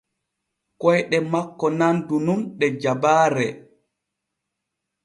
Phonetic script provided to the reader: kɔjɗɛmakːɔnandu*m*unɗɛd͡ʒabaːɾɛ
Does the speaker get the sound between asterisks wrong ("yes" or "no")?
yes